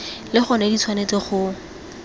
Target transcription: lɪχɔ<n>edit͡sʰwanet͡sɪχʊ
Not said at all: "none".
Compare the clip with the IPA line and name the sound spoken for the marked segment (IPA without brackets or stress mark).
n